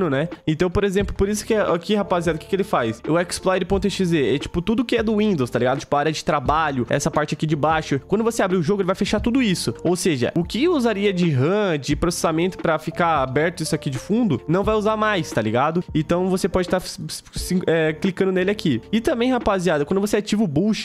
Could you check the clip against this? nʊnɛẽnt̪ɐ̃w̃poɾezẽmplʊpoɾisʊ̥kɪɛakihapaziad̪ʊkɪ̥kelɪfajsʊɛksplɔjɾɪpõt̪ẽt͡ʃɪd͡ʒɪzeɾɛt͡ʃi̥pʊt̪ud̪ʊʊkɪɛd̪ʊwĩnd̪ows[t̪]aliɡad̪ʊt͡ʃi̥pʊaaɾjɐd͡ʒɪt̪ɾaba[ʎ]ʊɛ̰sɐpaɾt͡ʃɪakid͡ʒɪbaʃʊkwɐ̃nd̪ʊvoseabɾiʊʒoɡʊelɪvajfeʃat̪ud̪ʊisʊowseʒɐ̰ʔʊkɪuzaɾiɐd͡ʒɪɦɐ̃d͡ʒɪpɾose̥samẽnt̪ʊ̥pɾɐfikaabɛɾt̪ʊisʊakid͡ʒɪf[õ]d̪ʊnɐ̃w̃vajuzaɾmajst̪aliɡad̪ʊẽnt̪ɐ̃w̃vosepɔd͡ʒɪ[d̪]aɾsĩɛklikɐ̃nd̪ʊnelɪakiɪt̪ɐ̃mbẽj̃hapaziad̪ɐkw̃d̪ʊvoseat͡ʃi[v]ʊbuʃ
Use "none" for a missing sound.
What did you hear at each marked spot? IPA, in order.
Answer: t̪, ʎ, ũ, t̪, v

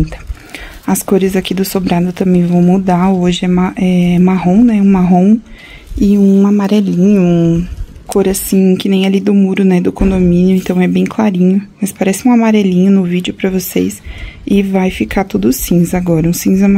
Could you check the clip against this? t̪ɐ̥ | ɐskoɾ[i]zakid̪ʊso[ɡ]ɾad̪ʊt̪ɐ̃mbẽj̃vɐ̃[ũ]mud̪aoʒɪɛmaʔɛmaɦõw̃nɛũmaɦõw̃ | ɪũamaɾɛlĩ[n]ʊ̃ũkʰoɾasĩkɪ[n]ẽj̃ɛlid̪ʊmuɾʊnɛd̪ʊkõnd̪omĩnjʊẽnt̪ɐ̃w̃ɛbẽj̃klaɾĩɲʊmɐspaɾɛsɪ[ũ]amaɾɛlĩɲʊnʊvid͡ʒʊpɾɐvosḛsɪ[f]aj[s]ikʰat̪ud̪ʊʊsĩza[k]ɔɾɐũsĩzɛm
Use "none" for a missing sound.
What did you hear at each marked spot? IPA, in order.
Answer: ɪ, b, w̃, ɲ, n, ũ, v, f, ɡ

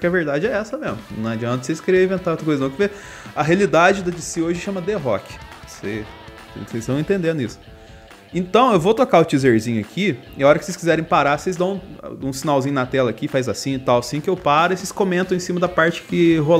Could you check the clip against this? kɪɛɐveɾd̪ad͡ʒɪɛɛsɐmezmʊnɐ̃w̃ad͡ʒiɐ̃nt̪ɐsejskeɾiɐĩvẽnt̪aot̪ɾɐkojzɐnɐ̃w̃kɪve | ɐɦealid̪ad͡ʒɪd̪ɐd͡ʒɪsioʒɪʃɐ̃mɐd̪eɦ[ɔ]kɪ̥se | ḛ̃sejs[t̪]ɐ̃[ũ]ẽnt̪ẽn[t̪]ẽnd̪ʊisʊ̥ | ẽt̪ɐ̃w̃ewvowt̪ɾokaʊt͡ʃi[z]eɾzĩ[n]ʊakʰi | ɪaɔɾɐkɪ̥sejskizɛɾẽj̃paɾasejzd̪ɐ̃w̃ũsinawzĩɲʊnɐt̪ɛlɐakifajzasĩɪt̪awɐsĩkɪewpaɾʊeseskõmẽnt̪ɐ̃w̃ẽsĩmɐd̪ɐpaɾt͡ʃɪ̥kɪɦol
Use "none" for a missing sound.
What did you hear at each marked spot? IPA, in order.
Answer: ɔ, t̪, w̃, d̪, z, ɲ

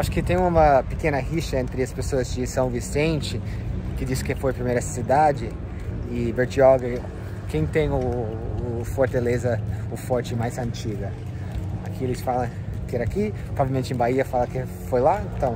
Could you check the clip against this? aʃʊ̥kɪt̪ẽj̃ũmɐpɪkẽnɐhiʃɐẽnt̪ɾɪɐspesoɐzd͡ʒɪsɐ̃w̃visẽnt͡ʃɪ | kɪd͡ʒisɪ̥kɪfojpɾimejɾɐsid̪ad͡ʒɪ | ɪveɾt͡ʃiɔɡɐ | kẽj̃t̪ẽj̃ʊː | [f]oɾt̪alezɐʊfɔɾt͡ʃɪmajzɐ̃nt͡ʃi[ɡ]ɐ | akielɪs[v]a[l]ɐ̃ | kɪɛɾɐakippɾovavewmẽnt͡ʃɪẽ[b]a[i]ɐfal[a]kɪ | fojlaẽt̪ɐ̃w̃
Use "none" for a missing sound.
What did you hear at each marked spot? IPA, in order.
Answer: f, ɡ, f, l, b, i, ɐ

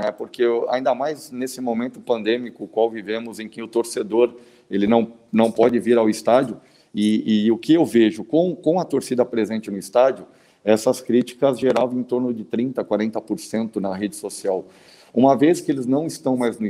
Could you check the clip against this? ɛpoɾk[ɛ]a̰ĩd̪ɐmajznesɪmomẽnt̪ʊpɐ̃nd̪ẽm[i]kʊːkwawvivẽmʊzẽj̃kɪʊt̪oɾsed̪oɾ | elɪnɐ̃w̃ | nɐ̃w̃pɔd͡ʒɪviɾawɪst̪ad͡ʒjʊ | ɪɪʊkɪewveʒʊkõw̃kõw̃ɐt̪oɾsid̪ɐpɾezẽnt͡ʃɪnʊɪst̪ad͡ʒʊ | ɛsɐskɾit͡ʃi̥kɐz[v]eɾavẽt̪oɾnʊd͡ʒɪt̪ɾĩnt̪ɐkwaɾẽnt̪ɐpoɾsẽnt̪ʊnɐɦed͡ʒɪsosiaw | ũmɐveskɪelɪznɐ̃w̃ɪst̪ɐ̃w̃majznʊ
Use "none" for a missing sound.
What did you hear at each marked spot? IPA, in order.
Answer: e, i, ʒ

